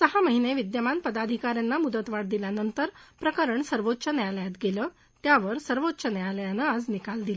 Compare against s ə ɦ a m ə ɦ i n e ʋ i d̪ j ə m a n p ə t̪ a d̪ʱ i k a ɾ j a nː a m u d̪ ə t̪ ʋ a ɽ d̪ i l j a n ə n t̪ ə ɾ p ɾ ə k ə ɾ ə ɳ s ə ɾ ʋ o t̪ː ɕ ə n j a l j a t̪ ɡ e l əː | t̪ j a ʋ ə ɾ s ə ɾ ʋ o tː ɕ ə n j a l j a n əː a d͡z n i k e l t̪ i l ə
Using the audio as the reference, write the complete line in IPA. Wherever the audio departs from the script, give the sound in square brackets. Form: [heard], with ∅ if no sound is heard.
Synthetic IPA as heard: s ə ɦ a m ə ɦ i n e ʋ i d̪ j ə m a n p ə [d̪] a d̪ʱ i k a ɾ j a nː a m u d̪ ə t̪ ʋ a ɽ d̪ i l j a n ə n t̪ ə ɾ p ɾ ə k ə ɾ ə ɳ s ə ɾ ʋ o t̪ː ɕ ə n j a l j a t̪ ɡ e l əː | t̪ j a ʋ ə ɾ s ə ɾ ʋ o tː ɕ ə n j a l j a n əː a d͡z n i k [a] l [d̪] i l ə

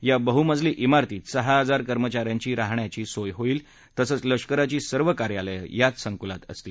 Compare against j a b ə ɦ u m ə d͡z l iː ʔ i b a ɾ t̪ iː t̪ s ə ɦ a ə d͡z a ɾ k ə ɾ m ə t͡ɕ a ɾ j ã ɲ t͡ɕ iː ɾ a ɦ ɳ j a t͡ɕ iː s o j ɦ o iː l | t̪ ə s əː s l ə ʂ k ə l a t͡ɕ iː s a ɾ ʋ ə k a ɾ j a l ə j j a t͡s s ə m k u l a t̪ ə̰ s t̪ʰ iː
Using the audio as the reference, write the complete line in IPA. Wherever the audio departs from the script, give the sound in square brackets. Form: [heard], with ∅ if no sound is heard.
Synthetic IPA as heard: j a b ə ɦ u m ə d͡z l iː ʔ i [m] a ɾ t̪ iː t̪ s ə ɦ a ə d͡z a ɾ k ə ɾ m ə t͡ɕ a ɾ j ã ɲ t͡ɕ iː ɾ a ɦ ɳ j a t͡ɕ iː s o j ɦ o iː l | t̪ ə s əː [t͡s] l ə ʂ k ə [ɾ] a t͡ɕ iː s [ə] ɾ ʋ ə k a ɾ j a l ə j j a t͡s s ə [ŋ] k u l a t̪ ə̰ s [t̪] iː

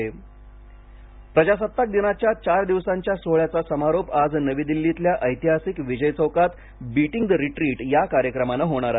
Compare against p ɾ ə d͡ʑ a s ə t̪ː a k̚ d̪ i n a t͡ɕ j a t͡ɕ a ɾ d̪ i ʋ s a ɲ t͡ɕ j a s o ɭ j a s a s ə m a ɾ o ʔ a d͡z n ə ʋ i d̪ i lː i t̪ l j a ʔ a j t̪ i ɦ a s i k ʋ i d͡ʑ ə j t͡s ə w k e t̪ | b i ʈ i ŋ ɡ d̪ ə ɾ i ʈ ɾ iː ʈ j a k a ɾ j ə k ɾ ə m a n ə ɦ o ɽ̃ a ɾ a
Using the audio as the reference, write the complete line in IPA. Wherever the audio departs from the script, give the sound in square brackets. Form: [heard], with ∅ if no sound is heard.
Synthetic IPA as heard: p ɾ ə d͡ʑ a s ə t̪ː a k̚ d̪ i n a t͡ɕ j a t͡ɕ a ɾ d̪ i ʋ s a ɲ t͡ɕ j a s o ɭ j a [t͡s] a s ə m a ɾ o [p] a d͡z n ə ʋ i d̪ i lː i t̪ l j a ʔ [ə] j t̪ i ɦ a s i k ʋ i d͡ʑ ə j t͡s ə w k [a] t̪ | b i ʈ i ŋ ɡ d̪ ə ɾ i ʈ ɾ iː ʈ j a k a ɾ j ə k ɾ ə m a n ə ɦ o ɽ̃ a ɾ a

